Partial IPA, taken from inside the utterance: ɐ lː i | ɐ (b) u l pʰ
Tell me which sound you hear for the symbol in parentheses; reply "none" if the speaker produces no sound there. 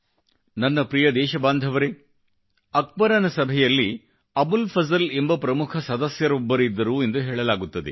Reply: b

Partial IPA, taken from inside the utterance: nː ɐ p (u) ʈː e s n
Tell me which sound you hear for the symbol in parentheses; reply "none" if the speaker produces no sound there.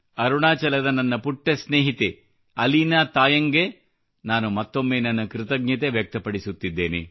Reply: u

